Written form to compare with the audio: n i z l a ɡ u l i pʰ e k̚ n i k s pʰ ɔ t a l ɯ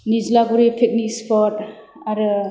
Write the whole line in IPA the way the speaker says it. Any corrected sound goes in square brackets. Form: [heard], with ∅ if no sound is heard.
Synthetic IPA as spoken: n i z l a ɡ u [ɾ] i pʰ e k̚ n i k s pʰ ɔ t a [ɾ] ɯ